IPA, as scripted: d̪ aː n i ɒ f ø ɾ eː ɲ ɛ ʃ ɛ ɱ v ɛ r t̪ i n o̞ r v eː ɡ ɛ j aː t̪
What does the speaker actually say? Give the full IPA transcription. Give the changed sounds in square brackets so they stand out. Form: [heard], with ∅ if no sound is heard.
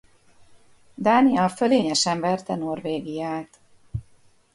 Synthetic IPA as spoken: d̪ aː n i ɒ f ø [l] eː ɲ ɛ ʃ ɛ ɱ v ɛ r t̪ [ɛ] n o̞ r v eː ɡ [i] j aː t̪